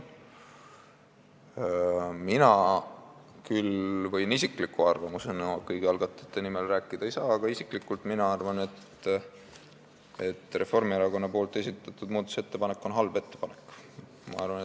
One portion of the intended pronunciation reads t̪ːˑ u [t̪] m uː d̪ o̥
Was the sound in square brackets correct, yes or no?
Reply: no